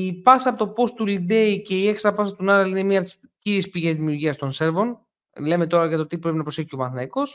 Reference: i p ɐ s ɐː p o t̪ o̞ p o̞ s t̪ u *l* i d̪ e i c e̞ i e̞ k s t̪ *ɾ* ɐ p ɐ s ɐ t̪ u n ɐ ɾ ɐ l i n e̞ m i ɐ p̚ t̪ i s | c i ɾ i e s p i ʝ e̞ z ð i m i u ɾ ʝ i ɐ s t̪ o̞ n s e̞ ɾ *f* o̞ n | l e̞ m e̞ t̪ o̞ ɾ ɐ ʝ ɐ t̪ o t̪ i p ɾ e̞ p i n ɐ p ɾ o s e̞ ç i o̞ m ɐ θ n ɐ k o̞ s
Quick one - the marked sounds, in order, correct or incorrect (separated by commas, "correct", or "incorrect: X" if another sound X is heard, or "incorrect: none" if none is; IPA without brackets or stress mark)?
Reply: correct, correct, incorrect: v